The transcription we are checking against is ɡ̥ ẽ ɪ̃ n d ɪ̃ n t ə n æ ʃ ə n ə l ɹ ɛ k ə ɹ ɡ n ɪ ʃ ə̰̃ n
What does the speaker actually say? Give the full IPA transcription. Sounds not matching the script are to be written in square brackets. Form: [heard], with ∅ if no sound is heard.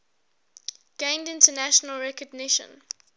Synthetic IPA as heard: ɡ̥ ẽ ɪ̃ n d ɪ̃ n t ə n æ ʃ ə n ə l ɹ ɛ k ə [∅] ɡ n ɪ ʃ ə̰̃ n

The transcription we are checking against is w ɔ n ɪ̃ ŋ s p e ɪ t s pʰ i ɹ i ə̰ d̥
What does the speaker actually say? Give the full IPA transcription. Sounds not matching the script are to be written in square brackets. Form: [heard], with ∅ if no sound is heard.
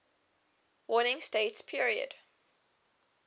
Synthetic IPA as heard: w ɔ n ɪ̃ ŋ s [t] e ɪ t s pʰ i ɹ i ə̰ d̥

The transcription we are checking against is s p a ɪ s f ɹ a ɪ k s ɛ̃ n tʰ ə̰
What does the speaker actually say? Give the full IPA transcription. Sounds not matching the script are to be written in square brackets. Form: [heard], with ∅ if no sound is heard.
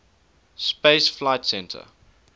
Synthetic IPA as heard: s p [e] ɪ s f [l] a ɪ [t] s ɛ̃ n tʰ ə̰

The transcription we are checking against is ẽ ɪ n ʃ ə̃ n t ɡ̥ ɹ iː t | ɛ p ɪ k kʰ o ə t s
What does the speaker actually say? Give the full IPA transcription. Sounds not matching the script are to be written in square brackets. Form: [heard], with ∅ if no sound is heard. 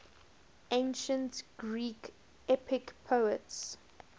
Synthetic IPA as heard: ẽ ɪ n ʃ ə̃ n t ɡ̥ ɹ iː [k] | ɛ p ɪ k [pʰ] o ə t s

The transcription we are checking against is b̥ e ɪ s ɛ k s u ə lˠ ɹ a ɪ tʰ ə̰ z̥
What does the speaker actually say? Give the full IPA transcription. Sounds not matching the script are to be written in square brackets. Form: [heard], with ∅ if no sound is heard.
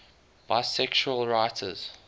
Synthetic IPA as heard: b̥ [a] ɪ s ɛ k [ʃ] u ə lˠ ɹ a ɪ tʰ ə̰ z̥

